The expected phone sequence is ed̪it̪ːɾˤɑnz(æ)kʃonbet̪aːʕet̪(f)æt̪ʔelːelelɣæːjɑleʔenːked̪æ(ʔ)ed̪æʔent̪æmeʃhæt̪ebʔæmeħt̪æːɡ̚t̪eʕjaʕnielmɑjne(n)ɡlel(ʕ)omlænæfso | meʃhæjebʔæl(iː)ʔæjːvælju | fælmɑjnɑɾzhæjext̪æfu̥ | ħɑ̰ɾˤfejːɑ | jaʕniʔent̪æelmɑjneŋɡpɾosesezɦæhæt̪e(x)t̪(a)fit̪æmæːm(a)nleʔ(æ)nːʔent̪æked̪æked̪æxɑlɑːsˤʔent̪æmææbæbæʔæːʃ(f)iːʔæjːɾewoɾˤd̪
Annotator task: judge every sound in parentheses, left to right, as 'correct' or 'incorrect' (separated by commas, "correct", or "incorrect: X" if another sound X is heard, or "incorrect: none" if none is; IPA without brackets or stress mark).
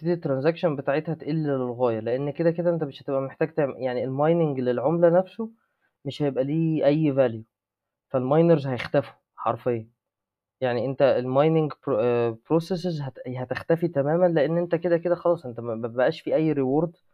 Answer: correct, incorrect: h, incorrect: k, incorrect: ŋ, correct, correct, correct, incorrect: æ, incorrect: æ, incorrect: e, correct